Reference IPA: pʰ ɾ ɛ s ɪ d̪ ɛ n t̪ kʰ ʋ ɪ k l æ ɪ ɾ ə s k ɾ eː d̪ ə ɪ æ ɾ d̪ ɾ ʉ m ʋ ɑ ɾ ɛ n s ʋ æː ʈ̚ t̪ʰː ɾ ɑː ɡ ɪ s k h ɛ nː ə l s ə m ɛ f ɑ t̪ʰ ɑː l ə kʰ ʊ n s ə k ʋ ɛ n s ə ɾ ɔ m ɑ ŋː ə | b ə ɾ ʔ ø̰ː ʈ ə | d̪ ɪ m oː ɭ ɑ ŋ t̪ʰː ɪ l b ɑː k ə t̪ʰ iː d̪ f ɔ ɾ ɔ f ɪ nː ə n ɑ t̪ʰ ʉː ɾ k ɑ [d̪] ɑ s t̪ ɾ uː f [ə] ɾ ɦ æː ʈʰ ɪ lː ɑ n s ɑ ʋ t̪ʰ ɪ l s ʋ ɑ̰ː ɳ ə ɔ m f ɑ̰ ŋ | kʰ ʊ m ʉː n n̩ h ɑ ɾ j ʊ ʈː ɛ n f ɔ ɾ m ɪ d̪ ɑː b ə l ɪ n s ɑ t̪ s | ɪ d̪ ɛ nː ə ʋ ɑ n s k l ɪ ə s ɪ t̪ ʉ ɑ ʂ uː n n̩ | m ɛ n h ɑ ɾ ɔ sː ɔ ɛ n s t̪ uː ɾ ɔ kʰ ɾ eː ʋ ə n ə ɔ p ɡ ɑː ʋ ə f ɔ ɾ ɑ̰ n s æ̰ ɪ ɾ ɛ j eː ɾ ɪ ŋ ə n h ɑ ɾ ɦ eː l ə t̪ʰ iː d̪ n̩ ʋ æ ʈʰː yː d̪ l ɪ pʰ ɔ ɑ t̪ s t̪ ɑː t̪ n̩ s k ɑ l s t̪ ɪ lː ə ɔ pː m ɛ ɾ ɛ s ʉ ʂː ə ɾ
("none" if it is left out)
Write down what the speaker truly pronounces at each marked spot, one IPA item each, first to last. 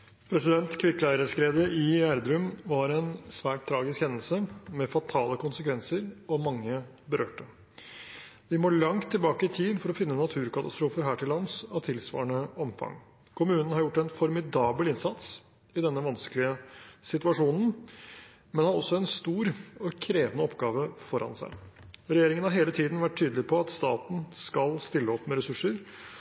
t̪, ə

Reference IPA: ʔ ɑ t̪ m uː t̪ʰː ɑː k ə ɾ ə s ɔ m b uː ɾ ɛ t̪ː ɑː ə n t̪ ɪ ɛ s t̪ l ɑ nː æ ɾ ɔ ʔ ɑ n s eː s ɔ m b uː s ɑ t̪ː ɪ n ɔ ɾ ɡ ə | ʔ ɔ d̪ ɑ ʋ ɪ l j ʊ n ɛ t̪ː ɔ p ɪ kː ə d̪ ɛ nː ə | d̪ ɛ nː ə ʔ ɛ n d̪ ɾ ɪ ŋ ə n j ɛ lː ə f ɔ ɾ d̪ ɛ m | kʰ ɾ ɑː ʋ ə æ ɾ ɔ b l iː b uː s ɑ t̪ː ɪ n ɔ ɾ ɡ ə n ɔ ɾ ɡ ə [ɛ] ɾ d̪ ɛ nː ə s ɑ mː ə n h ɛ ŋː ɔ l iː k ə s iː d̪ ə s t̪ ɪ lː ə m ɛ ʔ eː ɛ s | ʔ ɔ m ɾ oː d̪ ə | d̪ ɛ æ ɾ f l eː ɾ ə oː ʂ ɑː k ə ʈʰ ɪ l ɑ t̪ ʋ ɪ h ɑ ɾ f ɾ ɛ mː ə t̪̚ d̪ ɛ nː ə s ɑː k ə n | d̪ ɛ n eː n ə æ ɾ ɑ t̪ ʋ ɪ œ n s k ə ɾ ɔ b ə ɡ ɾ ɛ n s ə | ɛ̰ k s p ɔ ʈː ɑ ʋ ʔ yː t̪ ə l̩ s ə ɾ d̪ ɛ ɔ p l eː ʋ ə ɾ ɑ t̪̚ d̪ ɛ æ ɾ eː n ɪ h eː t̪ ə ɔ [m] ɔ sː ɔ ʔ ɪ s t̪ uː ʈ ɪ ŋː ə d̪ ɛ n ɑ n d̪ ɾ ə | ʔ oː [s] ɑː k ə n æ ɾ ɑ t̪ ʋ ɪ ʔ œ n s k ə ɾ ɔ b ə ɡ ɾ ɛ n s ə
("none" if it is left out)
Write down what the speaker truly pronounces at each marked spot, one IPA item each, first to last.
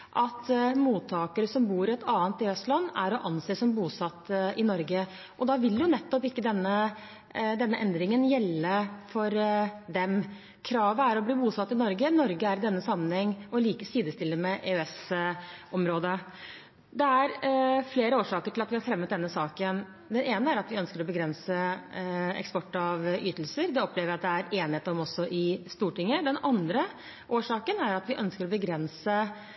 æ, m, ʂ

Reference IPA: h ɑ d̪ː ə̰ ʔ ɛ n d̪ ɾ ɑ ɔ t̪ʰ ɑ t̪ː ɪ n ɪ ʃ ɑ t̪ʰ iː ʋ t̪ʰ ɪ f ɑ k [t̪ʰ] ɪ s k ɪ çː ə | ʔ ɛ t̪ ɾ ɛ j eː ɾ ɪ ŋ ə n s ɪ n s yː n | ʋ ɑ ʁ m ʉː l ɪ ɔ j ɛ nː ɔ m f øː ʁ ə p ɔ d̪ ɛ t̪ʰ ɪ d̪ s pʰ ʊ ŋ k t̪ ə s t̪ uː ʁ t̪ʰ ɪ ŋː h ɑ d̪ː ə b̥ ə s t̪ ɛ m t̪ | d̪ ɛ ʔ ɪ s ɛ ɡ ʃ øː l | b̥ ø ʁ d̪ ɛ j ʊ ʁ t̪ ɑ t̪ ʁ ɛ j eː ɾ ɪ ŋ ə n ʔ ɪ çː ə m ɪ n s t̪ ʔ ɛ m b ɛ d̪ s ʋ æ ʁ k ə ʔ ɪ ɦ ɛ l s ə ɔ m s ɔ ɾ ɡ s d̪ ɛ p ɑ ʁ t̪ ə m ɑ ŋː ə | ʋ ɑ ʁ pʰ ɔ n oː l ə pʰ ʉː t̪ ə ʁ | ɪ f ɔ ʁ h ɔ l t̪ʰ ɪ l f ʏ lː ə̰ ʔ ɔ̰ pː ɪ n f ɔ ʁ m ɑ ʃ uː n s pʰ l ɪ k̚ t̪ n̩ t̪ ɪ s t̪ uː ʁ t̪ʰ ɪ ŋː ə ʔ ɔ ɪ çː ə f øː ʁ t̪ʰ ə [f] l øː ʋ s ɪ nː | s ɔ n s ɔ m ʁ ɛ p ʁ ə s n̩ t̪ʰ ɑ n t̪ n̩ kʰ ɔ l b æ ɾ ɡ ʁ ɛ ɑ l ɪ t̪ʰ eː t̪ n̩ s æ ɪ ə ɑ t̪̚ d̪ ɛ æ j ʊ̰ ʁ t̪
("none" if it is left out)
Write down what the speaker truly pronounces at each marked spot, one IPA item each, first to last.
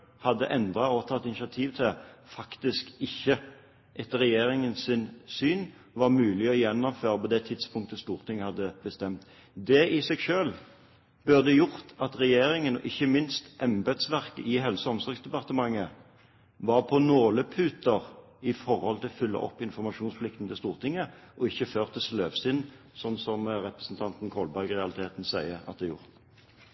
t̪, s

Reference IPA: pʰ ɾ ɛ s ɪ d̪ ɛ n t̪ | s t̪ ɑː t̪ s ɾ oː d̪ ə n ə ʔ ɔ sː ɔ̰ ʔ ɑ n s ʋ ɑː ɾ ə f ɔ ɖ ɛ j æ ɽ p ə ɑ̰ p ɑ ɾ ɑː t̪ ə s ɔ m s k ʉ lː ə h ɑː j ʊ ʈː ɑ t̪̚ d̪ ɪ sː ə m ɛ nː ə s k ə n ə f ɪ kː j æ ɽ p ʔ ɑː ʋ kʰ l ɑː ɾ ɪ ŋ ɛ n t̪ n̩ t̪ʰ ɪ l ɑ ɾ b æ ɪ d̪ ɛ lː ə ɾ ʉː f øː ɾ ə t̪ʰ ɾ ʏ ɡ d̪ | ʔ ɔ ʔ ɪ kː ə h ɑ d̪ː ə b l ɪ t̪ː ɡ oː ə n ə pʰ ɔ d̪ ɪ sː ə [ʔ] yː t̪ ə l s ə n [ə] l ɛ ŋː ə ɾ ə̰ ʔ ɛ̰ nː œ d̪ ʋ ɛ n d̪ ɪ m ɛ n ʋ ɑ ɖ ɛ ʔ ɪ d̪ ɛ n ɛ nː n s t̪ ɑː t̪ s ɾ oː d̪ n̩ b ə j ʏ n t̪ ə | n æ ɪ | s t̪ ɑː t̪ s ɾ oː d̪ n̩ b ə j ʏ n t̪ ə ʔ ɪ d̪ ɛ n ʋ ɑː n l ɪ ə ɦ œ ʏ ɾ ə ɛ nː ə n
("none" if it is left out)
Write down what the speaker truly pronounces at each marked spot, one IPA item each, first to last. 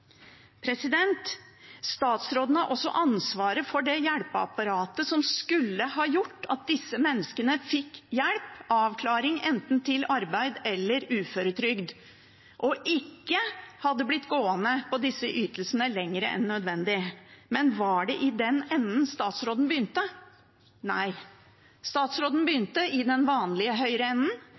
ʔ, ə

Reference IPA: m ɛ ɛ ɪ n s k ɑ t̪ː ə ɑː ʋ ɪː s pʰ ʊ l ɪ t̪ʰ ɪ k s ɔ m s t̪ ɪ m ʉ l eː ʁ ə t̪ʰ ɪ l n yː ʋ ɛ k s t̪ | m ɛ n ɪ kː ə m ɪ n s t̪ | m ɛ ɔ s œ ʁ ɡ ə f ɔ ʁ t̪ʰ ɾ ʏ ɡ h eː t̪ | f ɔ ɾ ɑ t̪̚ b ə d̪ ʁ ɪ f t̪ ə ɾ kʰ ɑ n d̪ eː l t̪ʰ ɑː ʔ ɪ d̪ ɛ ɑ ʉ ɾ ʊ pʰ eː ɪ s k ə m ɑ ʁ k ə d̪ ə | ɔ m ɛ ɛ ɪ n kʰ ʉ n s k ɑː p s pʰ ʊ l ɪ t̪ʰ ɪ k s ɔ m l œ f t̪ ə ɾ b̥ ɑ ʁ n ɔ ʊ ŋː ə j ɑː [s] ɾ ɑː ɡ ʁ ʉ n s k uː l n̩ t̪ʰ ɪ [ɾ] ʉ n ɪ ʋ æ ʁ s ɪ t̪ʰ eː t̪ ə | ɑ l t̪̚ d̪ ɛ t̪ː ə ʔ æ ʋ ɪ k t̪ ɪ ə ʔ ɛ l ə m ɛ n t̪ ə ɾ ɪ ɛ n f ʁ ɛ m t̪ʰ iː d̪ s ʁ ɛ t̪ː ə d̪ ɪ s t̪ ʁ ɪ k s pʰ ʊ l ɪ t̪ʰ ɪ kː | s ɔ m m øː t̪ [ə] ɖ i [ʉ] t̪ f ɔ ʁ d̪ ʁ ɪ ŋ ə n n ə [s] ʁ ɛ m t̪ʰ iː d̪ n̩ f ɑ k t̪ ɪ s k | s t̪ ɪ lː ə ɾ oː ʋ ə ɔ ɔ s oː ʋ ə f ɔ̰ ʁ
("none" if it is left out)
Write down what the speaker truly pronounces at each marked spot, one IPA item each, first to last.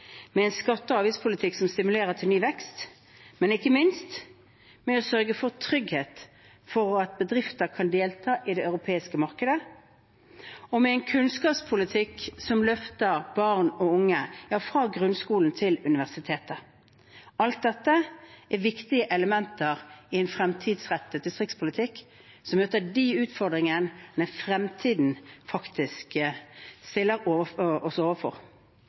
f, l, ə, ʉː, f

